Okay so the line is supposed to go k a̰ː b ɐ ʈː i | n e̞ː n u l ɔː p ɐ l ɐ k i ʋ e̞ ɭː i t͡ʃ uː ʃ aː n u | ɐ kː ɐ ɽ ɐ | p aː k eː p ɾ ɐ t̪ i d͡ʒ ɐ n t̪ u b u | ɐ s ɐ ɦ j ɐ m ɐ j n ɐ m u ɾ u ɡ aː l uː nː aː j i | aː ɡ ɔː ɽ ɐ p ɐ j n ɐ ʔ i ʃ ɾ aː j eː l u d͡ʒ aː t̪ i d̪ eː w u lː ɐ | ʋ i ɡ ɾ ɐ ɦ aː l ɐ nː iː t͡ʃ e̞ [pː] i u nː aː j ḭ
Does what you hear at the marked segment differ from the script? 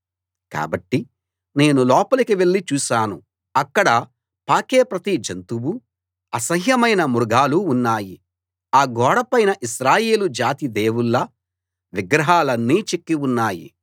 yes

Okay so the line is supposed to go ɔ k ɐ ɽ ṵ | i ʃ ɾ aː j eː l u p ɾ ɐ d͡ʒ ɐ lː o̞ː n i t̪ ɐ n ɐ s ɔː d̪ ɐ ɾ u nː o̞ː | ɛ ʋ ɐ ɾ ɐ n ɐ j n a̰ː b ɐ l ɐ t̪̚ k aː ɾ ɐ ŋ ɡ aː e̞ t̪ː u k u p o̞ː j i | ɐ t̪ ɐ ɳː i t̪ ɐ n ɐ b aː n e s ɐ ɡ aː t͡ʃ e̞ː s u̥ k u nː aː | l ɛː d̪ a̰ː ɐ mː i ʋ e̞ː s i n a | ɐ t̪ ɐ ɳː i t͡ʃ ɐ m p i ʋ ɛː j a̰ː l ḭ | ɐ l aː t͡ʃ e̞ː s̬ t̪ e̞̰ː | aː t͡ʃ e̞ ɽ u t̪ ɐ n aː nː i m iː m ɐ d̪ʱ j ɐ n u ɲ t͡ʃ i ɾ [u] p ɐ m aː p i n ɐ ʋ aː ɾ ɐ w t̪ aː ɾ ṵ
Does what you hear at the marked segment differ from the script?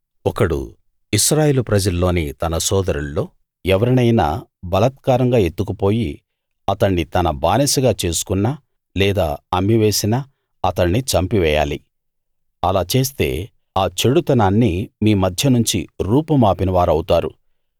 yes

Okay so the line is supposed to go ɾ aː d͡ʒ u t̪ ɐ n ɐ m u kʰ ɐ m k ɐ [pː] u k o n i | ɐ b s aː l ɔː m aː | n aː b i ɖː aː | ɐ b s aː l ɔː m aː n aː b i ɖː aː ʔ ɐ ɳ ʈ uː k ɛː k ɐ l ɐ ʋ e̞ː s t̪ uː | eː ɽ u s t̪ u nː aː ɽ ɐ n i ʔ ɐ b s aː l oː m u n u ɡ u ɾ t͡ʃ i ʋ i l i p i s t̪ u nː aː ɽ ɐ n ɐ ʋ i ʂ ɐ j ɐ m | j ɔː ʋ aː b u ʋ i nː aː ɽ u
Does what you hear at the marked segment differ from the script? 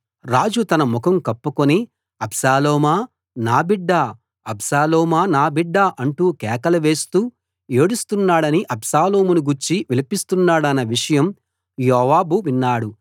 no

